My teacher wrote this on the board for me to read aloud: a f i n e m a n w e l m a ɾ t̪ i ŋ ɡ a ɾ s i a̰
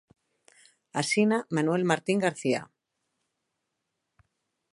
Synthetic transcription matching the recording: a s i n a m a n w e l m a ɾ t̪ i ŋ ɡ a ɾ θ i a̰